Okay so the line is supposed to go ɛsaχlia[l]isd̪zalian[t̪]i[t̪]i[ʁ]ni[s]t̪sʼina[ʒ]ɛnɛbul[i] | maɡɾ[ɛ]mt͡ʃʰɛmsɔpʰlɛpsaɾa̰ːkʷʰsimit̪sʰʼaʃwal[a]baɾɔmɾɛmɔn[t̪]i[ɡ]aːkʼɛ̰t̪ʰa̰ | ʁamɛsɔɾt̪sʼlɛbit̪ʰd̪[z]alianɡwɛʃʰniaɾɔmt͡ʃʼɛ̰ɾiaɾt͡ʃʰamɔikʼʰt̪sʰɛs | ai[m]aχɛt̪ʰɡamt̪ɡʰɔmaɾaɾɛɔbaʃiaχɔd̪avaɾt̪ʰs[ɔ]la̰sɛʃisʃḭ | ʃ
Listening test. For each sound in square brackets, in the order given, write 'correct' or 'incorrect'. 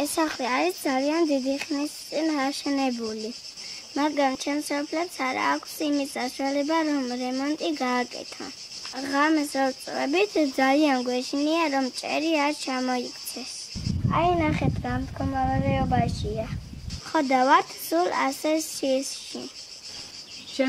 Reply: incorrect, incorrect, incorrect, incorrect, correct, incorrect, correct, incorrect, incorrect, incorrect, correct, correct, incorrect, incorrect

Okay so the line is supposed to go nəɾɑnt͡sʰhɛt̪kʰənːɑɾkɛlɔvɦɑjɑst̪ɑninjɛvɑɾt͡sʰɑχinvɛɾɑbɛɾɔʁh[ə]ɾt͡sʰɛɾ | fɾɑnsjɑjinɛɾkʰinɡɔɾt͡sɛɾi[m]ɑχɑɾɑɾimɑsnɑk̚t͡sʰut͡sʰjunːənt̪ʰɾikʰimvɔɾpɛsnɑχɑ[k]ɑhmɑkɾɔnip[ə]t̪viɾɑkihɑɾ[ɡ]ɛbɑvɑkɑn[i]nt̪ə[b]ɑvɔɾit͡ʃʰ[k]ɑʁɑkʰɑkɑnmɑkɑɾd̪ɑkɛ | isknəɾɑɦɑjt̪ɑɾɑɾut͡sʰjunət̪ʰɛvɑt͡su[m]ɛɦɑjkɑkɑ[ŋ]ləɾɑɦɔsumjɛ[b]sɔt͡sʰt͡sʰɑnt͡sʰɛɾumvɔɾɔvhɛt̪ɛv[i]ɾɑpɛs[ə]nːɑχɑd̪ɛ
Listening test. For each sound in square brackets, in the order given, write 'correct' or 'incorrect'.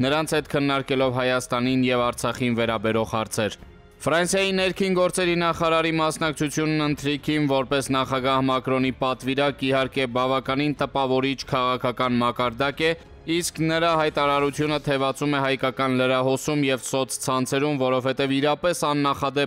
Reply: incorrect, incorrect, incorrect, incorrect, incorrect, correct, incorrect, incorrect, correct, incorrect, incorrect, correct, incorrect

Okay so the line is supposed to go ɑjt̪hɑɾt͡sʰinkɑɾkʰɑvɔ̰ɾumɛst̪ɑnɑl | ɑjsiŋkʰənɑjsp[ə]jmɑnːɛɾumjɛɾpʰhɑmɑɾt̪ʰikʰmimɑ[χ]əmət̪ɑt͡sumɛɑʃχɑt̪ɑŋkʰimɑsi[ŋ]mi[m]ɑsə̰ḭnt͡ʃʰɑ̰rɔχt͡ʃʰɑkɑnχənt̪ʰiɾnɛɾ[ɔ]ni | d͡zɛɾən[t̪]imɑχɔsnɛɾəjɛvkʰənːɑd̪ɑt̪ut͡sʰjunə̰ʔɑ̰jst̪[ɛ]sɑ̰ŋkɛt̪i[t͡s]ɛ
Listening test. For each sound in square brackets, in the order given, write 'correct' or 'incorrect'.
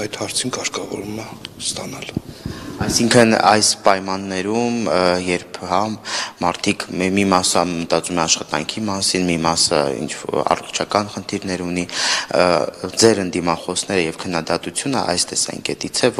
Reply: incorrect, incorrect, incorrect, correct, incorrect, incorrect, correct, incorrect

